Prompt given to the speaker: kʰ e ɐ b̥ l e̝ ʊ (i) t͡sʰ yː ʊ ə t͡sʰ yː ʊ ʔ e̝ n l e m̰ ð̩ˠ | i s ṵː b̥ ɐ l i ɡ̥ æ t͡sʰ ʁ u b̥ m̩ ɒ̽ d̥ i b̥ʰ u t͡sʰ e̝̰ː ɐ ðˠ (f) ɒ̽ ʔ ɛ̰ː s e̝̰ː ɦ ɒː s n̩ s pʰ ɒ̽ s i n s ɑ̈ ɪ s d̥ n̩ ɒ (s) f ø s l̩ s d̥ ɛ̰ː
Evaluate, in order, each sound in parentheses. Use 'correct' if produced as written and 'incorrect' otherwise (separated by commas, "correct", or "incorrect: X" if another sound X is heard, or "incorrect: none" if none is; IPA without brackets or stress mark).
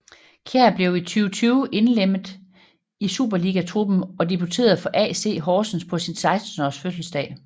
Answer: correct, correct, correct